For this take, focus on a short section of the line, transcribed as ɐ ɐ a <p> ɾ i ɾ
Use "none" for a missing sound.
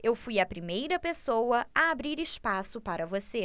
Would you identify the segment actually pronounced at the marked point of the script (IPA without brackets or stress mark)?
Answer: b